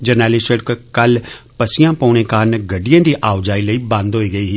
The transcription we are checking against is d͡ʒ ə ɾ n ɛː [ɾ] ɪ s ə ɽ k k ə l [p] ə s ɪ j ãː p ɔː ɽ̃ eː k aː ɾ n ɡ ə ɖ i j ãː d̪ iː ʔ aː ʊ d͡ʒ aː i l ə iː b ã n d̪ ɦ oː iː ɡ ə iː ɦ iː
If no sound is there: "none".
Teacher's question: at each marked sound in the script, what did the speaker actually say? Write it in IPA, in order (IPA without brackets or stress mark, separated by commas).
l, p